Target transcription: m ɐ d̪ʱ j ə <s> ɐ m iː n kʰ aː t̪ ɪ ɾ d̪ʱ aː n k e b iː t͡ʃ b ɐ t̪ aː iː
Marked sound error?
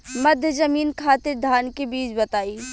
yes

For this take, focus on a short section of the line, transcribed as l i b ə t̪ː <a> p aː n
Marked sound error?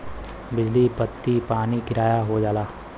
yes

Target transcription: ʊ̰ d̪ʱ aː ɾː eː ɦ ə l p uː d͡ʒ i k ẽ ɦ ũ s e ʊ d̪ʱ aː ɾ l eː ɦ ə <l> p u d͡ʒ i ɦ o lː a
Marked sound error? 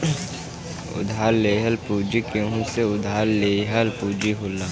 no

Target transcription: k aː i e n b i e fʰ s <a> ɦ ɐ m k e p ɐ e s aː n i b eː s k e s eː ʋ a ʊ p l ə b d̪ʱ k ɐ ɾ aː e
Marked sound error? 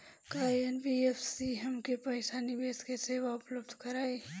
yes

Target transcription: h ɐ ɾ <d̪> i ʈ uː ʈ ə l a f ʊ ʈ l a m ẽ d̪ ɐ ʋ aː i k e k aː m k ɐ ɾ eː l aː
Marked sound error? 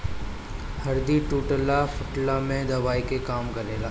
no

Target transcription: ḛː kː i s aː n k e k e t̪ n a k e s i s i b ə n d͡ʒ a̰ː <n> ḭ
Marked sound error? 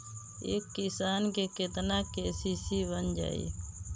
yes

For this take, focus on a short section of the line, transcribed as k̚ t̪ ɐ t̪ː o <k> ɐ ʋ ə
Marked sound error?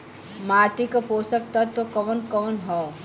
no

